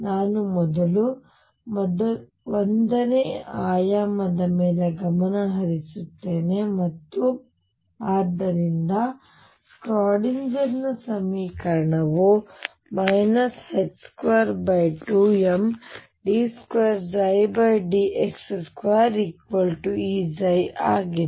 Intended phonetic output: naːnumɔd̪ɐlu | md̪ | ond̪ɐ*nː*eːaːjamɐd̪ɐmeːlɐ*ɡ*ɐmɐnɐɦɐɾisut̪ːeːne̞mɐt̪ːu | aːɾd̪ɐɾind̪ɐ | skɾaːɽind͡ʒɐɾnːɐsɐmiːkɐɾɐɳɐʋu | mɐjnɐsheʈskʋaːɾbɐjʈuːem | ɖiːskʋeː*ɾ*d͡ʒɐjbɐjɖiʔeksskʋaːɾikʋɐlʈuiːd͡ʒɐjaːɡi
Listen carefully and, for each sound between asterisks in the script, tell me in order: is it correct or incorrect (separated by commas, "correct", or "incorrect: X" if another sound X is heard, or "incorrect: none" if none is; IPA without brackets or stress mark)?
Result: incorrect: n, correct, correct